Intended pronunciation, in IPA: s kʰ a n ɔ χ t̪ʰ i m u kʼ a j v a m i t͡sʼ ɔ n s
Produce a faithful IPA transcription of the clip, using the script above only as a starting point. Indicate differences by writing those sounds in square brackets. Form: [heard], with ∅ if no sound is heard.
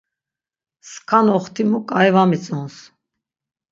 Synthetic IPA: s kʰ a n ɔ χ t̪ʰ i m u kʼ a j v a m i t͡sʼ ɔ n s